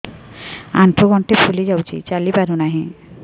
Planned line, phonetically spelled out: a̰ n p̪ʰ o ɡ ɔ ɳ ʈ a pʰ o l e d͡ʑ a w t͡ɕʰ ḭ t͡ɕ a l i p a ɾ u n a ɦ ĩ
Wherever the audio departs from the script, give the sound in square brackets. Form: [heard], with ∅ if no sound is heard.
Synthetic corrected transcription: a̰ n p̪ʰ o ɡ ɔ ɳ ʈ [e] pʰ [u] l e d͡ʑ a w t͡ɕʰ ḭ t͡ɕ a l i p a ɾ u n a ɦ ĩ